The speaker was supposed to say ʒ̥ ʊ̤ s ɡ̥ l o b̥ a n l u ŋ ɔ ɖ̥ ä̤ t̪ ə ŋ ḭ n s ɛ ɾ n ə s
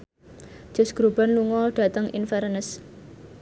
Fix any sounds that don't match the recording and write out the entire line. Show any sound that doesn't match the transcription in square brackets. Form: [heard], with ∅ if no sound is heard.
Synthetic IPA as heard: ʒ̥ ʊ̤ s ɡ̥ [ɾ] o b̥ a n l u ŋ ɔ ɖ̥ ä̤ t̪ ə ŋ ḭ n [f] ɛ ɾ n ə s